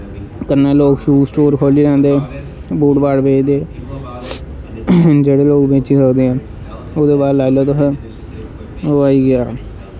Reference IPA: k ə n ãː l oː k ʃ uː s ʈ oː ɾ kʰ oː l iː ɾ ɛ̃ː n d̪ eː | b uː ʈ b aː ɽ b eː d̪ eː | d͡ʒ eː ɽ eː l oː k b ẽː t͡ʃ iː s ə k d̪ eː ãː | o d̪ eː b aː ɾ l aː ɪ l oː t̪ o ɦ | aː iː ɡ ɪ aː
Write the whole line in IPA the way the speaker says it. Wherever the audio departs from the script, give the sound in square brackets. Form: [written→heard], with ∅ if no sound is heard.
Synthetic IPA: k ə n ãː l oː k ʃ uː s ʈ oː ɾ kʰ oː l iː ɾ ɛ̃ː n d̪ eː | b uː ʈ b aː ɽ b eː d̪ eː | d͡ʒ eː ɽ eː l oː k b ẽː t͡ʃ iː s ə k d̪ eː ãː | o d̪ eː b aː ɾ l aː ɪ l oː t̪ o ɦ | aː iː ɡ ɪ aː